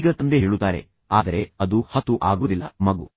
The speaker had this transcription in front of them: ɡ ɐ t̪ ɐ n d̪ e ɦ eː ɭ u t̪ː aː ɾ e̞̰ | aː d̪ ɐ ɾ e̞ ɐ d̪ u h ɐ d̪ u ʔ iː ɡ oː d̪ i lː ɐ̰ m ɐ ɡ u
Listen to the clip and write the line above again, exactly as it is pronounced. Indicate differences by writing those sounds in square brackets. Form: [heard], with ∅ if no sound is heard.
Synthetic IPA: ɡ ɐ t̪ ɐ n d̪ e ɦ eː ɭ u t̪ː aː ɾ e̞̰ | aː d̪ ɐ ɾ e̞ ɐ d̪ u h ɐ [t̪] u ʔ [aː] ɡ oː d̪ i lː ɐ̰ m ɐ ɡ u